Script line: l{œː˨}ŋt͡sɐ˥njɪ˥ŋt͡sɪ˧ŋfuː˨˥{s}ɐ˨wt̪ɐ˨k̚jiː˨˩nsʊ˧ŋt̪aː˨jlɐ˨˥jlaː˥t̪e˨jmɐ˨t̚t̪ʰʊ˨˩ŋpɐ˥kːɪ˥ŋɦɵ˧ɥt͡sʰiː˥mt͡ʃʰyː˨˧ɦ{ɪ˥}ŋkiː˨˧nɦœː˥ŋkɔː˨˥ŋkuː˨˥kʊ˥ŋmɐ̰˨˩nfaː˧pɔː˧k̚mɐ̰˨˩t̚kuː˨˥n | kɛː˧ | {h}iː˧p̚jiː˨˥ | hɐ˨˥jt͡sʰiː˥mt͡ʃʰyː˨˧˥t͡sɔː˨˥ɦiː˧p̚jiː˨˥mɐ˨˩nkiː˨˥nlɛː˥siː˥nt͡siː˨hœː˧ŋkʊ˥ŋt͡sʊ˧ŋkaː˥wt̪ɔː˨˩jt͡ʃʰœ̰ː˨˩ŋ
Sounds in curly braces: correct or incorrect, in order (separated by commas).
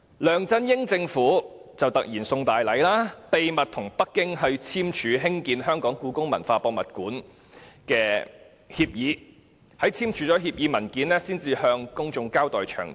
correct, incorrect, correct, correct